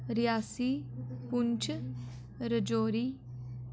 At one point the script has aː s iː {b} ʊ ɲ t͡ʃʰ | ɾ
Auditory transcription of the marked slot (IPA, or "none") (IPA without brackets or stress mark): p